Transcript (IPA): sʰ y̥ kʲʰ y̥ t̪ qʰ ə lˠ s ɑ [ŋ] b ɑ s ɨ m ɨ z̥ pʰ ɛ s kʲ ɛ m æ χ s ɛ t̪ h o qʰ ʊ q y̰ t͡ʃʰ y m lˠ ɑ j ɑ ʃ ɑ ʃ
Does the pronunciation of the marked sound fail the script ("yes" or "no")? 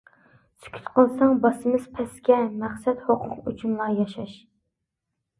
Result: no